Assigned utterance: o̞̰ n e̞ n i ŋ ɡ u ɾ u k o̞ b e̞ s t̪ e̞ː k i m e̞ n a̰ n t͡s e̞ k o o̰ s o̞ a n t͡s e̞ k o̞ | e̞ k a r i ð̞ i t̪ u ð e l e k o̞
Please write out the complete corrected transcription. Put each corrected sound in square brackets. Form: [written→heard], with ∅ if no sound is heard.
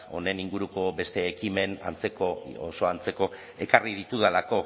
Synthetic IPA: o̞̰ n e̞ n i ŋ ɡ u ɾ u k o̞ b e̞ s t̪ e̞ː k i m e̞ n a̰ n t͡s e̞ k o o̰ s o̞ a n t͡s e̞ k o̞ | e̞ k a r i ð̞ i t̪ u ð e l [e→a] k o̞